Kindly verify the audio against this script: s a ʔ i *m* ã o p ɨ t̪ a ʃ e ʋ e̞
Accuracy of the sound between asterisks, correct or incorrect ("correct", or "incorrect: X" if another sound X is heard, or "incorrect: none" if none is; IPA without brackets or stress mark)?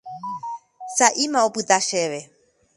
correct